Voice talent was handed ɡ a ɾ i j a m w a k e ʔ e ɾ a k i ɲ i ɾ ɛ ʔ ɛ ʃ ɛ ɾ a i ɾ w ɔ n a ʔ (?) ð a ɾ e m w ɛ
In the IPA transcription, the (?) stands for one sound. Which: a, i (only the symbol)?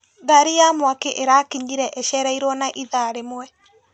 i